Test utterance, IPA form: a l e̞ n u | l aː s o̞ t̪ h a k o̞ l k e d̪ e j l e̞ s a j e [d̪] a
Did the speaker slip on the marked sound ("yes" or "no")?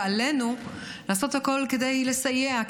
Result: yes